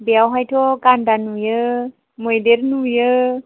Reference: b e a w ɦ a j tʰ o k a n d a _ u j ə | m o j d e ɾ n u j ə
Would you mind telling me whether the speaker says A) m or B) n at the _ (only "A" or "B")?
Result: B